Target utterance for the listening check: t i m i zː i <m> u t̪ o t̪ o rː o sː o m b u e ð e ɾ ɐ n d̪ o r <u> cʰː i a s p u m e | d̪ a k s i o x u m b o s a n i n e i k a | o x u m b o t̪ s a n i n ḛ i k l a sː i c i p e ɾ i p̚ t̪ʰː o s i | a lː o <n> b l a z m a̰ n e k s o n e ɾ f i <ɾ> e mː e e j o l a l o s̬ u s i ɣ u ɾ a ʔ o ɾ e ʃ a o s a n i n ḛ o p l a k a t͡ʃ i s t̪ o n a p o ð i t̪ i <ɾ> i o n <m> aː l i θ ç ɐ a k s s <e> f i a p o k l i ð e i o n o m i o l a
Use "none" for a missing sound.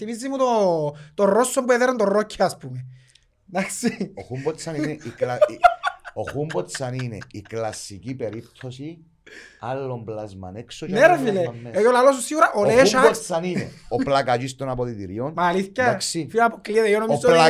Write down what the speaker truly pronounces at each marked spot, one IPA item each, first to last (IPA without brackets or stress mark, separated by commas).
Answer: m, o, m, l, ɾ, m, i